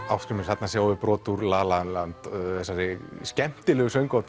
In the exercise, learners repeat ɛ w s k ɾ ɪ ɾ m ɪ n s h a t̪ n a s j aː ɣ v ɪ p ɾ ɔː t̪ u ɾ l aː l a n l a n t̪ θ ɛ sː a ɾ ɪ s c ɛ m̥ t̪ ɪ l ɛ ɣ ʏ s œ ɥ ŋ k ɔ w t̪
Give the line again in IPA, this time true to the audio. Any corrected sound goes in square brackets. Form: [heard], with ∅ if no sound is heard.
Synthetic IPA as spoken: [a] w s k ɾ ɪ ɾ m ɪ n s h a t̪ n a s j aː [w] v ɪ p ɾ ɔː t̪ u ɾ l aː l a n l a n t̪ θ ɛ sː a ɾ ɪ s c ɛ m̥ t̪ ɪ l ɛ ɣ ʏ s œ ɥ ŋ k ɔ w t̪

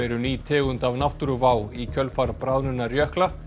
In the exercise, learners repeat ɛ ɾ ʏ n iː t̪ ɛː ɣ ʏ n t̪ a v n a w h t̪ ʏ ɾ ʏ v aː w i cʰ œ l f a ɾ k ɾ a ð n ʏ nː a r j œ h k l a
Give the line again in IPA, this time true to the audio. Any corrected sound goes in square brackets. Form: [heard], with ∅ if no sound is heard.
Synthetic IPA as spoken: ɛ ɾ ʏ n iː [t̪ʰ] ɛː ɣ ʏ n t̪ a v n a w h t̪ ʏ ɾ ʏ v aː w i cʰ œ l f a ɾ [p] ɾ a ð n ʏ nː a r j œ h k l a

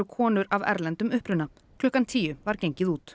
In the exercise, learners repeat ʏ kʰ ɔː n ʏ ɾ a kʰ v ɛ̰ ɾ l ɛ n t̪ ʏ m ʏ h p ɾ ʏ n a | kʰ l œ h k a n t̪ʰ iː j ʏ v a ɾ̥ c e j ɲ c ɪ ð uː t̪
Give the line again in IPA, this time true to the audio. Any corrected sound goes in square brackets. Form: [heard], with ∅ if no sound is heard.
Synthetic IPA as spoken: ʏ kʰ ɔː n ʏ ɾ a [∅] v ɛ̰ ɾ l ɛ n t̪ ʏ m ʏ h p ɾ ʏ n a | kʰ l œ h k a n t̪ʰ iː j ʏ v a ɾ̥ c e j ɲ c ɪ ð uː t̪

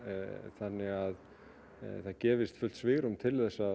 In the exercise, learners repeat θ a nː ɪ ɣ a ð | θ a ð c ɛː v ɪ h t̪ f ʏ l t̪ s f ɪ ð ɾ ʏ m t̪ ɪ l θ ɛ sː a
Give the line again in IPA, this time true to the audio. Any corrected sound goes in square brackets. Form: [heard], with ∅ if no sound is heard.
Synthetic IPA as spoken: θ a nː ɪ ɣ a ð | θ a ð c ɛː v ɪ [s] t̪ f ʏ l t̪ s [v] ɪ [ɣ] ɾ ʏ m [t̪ʰ] ɪ l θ ɛ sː a

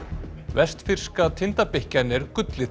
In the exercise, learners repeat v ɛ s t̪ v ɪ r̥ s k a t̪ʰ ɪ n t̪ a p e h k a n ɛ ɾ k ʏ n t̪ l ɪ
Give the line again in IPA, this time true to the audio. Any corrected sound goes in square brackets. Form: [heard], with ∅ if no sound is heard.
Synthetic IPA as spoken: v ɛ s t̪ [f] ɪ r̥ s k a t̪ʰ ɪ n t̪ a p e h [c] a n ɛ ɾ k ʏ [∅] t̪ l ɪ

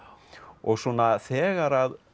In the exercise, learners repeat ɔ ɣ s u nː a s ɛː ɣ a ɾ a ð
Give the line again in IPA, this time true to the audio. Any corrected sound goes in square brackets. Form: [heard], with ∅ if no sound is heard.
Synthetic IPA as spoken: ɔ ɣ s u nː a [θ] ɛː ɣ a ɾ a ð

